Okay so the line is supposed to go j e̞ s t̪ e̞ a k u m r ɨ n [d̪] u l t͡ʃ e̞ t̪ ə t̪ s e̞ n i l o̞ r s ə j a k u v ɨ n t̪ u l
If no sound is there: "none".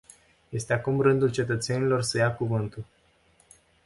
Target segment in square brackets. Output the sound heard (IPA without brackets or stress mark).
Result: d̪